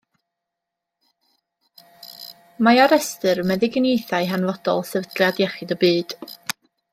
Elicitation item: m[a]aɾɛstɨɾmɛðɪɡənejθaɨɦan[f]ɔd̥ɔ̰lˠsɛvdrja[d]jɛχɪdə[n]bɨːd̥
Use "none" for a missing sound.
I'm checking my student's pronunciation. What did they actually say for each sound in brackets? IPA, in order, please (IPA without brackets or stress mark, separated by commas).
a, v, d, none